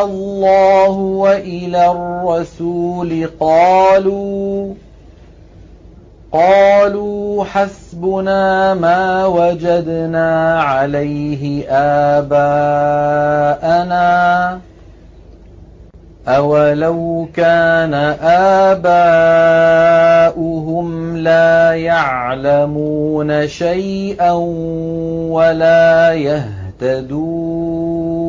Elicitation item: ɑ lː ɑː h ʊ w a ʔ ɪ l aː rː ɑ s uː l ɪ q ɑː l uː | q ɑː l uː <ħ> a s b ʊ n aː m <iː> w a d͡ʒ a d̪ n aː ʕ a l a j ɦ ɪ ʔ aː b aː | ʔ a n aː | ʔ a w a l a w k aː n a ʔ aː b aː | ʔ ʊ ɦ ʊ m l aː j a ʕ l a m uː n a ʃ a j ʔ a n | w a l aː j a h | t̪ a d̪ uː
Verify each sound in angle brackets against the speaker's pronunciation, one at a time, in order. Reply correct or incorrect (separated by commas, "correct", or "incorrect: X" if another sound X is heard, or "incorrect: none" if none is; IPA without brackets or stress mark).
correct, incorrect: aː